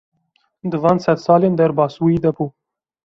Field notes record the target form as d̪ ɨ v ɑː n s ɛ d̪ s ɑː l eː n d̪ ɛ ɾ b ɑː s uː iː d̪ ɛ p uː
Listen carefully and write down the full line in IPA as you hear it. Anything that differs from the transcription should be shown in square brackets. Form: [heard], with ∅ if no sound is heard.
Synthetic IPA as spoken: d̪ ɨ v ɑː n s ɛ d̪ s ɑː l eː n d̪ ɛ ɾ b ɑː s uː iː d̪ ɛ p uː